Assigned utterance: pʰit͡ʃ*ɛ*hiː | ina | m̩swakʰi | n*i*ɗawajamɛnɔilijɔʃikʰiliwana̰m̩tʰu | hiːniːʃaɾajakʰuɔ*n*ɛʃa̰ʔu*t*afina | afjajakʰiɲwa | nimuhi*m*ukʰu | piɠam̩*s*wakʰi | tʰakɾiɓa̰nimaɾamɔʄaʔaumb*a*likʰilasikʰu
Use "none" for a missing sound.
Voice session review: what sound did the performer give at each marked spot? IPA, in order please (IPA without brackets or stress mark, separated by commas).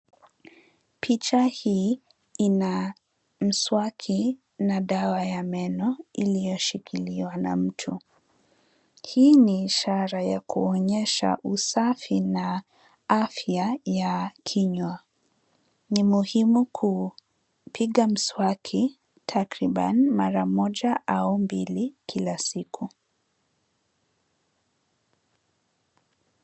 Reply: a, a, ɲ, s, m, s, i